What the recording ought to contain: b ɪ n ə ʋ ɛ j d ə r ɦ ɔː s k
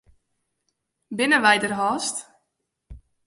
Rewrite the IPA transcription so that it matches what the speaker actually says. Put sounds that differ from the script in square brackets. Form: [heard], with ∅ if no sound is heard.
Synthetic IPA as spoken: b ɪ n ə ʋ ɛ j d ə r ɦ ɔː s [t]